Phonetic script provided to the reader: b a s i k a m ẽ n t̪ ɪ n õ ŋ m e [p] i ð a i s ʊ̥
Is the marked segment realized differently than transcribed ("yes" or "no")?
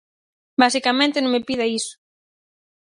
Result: no